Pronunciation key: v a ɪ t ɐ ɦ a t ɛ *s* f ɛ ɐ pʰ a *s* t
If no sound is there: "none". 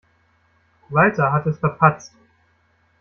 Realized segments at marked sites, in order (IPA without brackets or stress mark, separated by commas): s, t͡s